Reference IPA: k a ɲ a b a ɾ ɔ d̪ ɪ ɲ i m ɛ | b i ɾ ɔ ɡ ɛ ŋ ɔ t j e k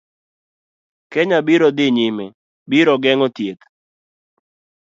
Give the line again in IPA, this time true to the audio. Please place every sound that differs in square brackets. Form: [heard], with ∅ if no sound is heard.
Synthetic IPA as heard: k [ɛ] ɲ a b [i] ɾ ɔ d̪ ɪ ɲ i m ɛ | b i ɾ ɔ ɡ ɛ ŋ ɔ t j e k